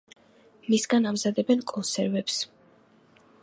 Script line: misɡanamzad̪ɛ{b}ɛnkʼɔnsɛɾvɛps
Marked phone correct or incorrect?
correct